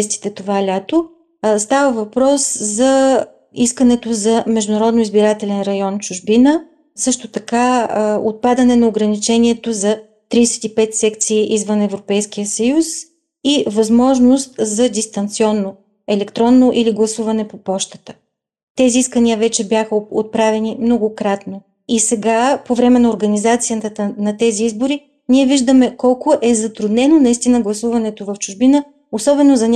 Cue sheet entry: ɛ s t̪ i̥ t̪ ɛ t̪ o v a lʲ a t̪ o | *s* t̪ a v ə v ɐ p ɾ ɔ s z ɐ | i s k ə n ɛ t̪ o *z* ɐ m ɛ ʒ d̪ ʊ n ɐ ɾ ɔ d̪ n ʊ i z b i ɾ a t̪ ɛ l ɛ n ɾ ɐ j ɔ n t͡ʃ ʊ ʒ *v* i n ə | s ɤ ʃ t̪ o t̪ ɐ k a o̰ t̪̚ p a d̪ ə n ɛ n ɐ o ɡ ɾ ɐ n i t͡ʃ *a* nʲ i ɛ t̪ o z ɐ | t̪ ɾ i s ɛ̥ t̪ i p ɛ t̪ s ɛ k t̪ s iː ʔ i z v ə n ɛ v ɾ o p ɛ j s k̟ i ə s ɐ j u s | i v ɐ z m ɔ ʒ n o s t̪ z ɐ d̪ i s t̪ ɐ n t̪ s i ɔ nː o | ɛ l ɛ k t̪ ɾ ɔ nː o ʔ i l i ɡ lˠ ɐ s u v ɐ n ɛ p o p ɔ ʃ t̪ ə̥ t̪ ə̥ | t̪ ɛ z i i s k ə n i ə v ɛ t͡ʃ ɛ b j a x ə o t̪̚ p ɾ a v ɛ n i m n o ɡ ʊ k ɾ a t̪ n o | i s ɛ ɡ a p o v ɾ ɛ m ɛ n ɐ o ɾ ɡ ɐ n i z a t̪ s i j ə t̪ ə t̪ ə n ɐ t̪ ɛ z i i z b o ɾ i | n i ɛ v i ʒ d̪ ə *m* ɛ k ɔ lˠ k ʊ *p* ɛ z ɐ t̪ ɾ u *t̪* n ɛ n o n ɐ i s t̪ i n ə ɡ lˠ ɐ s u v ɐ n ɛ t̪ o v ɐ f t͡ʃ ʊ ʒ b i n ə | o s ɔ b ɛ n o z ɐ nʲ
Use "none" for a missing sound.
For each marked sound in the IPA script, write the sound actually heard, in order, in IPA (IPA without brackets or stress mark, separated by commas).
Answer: s, z, b, ɛ, m, ʔ, d̪